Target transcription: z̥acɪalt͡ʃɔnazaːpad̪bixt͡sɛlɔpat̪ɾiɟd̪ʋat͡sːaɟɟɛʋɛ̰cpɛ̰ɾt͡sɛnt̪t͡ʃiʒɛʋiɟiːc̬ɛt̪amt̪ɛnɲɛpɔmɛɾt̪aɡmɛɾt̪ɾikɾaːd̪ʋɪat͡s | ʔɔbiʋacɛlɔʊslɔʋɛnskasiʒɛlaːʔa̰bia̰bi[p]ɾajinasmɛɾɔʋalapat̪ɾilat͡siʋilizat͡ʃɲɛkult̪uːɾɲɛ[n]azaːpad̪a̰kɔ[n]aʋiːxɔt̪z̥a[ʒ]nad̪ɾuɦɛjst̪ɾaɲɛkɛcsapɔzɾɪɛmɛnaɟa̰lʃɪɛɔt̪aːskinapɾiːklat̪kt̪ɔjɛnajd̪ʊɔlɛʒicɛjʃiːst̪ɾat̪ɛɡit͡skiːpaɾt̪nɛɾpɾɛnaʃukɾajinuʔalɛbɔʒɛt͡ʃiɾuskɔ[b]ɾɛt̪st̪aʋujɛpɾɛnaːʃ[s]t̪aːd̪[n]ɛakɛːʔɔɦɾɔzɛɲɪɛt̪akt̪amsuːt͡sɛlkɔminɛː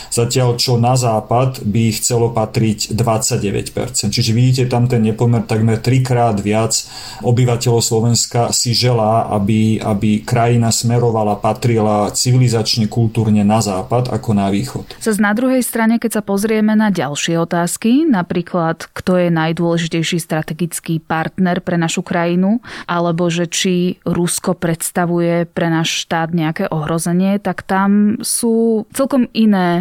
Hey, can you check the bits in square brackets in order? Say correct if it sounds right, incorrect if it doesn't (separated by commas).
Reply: incorrect, correct, correct, incorrect, incorrect, incorrect, incorrect